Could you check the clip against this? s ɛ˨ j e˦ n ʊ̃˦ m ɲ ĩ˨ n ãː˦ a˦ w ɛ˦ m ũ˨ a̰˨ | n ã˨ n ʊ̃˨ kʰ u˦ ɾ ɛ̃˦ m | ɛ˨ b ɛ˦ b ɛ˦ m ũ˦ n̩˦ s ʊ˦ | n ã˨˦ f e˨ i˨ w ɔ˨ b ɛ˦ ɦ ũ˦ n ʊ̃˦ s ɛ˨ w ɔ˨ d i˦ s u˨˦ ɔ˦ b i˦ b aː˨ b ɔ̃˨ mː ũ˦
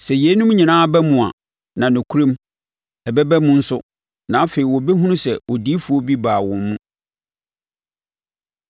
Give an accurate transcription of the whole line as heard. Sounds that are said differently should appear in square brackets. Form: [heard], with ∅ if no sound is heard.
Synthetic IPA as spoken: s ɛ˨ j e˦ n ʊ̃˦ m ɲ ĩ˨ n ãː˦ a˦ [b] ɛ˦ m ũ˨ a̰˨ | n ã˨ n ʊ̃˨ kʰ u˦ ɾ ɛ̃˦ m | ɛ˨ b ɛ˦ b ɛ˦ m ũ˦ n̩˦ s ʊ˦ | n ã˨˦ f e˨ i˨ w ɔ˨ b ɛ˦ ɦ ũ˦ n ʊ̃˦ s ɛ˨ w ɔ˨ d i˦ [f] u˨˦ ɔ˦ b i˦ b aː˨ [w] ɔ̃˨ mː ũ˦

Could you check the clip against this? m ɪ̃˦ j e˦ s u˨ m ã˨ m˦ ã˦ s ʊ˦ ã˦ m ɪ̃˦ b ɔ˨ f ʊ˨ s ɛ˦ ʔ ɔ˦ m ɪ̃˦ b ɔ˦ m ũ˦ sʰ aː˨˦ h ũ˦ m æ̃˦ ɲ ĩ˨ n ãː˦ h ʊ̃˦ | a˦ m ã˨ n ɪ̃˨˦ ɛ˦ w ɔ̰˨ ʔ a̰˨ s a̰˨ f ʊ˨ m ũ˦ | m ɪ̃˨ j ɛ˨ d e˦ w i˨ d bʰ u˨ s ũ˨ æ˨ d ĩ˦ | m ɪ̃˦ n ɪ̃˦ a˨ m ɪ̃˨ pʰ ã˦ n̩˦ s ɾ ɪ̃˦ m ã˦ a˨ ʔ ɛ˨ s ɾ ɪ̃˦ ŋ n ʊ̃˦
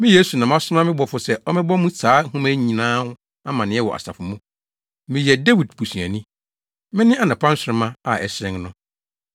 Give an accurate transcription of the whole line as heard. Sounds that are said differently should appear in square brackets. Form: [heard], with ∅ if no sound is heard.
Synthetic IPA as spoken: m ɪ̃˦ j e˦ s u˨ [n] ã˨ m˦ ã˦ s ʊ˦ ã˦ m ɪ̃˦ b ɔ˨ f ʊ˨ s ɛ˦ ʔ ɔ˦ m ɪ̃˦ b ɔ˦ m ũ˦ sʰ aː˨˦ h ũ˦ m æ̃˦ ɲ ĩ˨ n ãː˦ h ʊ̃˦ | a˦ m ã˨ n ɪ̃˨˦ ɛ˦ w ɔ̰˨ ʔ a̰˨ s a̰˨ f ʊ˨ m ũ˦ | m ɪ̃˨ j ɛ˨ d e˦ w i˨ d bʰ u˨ s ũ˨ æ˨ [n] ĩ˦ | m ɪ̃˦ n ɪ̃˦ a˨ [n] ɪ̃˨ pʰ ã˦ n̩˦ s ɾ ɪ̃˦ m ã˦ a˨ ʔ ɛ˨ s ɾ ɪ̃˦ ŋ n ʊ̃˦

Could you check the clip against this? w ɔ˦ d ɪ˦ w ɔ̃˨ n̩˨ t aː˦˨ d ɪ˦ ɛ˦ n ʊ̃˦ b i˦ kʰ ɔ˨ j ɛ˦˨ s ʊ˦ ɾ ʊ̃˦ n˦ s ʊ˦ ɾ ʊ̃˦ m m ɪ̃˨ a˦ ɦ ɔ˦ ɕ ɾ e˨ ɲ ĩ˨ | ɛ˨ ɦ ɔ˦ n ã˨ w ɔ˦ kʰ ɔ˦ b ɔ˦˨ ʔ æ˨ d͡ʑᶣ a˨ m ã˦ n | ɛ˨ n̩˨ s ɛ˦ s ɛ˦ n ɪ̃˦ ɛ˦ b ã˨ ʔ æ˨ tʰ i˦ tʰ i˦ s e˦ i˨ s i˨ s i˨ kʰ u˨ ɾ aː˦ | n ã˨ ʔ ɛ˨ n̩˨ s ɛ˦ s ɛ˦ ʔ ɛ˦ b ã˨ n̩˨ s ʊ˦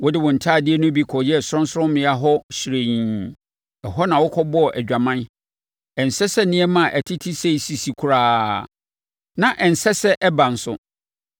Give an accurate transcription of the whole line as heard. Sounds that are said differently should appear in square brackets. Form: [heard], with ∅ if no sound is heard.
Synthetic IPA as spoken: w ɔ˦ d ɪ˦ w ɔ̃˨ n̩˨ [tʰ] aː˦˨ d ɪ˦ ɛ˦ n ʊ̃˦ b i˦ kʰ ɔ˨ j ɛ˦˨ s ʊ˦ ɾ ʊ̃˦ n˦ s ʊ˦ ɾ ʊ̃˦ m m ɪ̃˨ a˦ ɦ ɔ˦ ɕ ɾ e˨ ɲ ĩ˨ | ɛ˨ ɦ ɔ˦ n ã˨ w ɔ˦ kʰ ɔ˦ b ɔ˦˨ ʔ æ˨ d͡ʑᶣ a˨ m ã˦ n | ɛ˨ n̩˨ s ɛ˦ s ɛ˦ n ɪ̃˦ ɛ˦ [m] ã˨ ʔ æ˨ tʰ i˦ tʰ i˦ s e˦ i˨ s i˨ s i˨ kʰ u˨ ɾ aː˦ | n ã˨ ʔ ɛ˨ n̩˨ s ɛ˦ s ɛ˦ ʔ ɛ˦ b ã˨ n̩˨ s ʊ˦

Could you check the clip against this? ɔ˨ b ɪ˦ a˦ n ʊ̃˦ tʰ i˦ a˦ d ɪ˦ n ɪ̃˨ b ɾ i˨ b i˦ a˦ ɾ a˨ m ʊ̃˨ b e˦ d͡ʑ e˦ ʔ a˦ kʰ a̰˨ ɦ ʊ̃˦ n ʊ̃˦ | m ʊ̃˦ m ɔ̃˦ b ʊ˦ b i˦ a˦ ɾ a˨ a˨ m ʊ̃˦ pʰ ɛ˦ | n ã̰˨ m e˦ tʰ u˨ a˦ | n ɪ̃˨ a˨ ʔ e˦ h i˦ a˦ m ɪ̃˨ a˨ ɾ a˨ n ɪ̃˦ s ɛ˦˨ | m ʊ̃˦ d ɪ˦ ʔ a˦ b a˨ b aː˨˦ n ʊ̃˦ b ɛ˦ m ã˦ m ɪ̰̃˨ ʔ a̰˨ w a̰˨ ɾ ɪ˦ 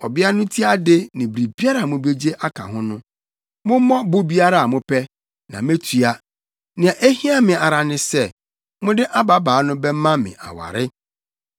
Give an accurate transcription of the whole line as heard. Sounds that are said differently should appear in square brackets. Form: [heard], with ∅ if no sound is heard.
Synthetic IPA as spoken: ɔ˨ b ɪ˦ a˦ n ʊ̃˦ tʰ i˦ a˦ d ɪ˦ n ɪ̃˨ b ɾ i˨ b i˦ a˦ ɾ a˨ m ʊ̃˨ b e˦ d͡ʑ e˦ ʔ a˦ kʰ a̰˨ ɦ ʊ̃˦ n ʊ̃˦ | m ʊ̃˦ m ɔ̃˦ b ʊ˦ b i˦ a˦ ɾ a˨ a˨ m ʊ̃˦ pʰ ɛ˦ | n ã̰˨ m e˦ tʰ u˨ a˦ | n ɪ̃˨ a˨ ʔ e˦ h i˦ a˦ m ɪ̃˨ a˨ ɾ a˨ n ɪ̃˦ s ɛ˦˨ | m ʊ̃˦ d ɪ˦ ʔ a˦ b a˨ b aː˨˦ n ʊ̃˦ b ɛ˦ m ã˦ m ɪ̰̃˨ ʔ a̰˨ w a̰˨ ɾ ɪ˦

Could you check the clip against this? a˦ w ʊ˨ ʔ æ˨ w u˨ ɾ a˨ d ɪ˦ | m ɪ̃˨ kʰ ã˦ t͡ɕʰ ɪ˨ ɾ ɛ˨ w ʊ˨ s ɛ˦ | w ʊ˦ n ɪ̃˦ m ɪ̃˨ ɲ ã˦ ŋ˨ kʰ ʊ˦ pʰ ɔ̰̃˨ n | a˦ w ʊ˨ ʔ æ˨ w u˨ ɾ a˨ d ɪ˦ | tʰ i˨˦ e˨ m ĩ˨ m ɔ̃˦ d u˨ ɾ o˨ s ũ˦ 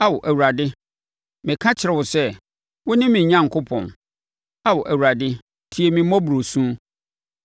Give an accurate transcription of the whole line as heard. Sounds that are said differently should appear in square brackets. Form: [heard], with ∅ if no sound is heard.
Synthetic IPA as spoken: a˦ w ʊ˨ ʔ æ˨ w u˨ ɾ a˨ d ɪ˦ | m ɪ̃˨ kʰ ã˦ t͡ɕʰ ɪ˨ ɾ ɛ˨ w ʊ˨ s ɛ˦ | w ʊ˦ n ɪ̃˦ m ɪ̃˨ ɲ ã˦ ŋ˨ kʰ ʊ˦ pʰ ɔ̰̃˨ n | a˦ w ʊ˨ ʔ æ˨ w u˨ ɾ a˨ d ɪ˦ | tʰ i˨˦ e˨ m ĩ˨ m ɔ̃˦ [b] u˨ ɾ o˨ s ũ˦

